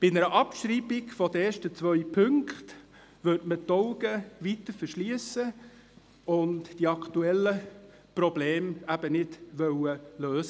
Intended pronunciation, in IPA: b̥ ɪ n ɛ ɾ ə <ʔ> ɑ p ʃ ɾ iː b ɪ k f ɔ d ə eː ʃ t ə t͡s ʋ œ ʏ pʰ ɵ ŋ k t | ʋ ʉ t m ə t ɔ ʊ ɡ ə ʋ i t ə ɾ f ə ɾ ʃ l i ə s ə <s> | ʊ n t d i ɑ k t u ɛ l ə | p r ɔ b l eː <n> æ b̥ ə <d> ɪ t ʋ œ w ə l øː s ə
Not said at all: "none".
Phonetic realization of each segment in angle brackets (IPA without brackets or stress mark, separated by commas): ʔ, none, m, n